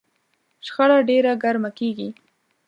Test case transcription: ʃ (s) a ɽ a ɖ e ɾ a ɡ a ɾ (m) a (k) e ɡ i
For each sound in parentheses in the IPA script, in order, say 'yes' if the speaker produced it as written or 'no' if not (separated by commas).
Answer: no, yes, yes